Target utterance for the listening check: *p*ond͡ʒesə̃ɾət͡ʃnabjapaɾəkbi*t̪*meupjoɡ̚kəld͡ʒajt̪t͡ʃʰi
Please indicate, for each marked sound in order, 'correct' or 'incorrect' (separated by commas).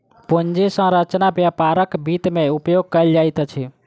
correct, correct